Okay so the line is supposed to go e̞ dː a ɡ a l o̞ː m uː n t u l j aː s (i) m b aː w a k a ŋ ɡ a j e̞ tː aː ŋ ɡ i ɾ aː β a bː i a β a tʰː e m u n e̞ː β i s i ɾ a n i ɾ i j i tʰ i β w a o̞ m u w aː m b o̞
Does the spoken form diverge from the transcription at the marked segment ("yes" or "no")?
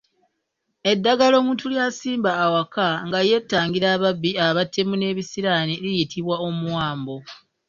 yes